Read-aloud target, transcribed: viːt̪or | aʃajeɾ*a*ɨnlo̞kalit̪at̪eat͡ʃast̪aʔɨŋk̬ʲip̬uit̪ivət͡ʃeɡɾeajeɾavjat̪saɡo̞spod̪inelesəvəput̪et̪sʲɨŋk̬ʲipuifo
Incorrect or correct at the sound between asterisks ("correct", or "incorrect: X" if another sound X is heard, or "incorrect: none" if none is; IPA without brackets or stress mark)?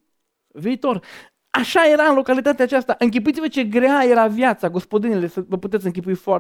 correct